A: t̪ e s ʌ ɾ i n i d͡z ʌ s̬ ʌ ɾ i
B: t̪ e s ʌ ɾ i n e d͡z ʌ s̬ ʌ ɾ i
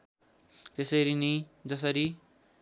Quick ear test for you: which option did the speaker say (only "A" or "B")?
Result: A